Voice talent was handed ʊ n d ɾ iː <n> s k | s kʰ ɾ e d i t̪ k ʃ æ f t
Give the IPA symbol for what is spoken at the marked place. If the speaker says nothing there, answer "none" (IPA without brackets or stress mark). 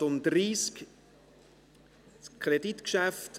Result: none